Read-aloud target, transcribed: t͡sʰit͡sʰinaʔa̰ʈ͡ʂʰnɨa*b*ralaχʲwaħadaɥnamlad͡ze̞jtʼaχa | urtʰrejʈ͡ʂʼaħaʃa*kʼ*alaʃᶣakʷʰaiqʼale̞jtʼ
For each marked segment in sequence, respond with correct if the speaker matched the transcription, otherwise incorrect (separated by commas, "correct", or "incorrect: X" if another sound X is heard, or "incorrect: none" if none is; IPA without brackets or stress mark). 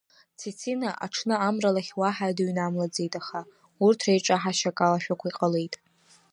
incorrect: m, correct